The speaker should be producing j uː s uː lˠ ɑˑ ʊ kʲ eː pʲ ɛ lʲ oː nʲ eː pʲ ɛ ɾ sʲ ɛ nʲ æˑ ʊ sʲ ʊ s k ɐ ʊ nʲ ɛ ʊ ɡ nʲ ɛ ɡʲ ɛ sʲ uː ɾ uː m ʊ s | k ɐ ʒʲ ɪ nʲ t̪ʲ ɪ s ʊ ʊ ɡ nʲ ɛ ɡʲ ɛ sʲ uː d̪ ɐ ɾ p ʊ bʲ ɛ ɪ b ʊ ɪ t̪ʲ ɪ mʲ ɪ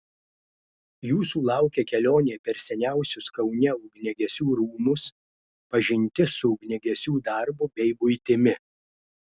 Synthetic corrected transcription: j uː s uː lˠ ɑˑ ʊ kʲ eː kʲ ɛ lʲ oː nʲ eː pʲ ɛ ɾ sʲ ɛ nʲ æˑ ʊ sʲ ʊ s k ɐ ʊ nʲ ɛ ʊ ɡ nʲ ɛ ɡʲ ɛ sʲ uː ɾ uː m ʊ s | p ɐ ʒʲ ɪ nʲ t̪ʲ ɪ s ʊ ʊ ɡ nʲ ɛ ɡʲ ɛ sʲ uː d̪ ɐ ɾ b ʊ bʲ ɛ ɪ b ʊ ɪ t̪ʲ ɪ mʲ ɪ